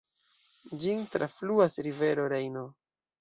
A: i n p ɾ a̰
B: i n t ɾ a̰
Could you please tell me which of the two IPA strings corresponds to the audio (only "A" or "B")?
B